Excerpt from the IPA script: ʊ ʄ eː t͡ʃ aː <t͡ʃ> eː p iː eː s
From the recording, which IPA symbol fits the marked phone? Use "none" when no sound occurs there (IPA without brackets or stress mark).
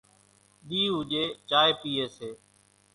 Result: none